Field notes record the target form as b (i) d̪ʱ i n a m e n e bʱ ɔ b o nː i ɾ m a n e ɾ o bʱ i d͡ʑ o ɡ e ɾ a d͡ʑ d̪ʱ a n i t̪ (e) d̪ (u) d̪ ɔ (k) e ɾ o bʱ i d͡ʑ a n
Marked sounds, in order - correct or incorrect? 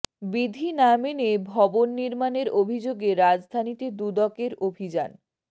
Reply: correct, correct, correct, correct

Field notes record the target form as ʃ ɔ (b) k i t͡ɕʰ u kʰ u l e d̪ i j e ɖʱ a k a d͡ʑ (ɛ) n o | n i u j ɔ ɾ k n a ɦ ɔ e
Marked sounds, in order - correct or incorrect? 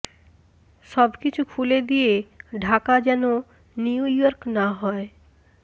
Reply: correct, correct

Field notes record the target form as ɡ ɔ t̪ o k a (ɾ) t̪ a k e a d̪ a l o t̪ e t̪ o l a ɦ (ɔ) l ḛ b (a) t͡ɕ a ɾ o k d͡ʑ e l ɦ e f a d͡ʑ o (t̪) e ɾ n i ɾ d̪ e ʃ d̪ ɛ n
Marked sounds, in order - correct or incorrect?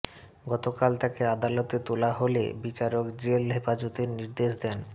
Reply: incorrect, incorrect, incorrect, correct

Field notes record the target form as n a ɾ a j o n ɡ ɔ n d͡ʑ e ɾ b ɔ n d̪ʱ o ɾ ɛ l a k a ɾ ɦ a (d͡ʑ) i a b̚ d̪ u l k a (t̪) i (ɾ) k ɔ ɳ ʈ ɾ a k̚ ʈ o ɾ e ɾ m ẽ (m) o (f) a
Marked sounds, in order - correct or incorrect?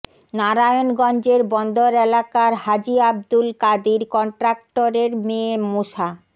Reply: correct, incorrect, correct, correct, incorrect

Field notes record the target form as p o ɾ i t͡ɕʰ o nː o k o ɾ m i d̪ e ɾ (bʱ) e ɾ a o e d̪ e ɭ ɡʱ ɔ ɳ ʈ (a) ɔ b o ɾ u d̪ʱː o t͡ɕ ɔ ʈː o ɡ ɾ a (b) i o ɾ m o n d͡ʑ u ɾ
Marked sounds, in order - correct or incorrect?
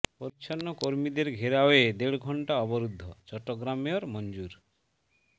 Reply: incorrect, correct, incorrect

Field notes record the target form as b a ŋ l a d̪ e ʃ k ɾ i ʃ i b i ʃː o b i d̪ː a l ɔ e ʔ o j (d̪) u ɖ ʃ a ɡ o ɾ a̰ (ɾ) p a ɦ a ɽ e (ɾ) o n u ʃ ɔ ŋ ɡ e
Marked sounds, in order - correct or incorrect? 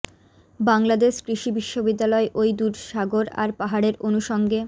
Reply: correct, correct, correct

